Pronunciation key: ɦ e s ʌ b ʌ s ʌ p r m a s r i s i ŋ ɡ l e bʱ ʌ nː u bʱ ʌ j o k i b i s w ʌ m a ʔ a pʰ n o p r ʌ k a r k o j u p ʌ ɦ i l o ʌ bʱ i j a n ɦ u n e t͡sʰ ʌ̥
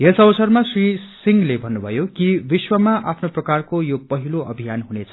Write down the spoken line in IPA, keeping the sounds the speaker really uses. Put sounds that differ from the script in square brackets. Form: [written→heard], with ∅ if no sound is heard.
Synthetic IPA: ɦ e s ʌ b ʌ s ʌ [p→∅] r m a s r i s i ŋ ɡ l e bʱ ʌ nː u bʱ ʌ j o k i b i s w ʌ m a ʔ a pʰ n o p r ʌ k a r k o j [u→o] p ʌ ɦ i l o ʌ bʱ i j a n ɦ u n e t͡sʰ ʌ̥